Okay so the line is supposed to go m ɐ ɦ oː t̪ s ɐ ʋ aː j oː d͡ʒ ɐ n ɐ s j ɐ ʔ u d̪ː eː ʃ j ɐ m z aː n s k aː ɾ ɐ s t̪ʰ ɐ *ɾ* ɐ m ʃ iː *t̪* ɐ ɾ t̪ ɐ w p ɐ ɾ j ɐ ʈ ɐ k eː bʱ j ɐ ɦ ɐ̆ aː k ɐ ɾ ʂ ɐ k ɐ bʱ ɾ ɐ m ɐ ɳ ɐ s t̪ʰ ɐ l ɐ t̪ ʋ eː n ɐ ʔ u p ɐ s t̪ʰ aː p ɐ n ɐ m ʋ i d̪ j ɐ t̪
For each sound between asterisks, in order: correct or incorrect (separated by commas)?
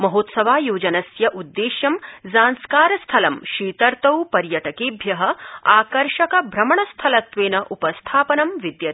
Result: incorrect, correct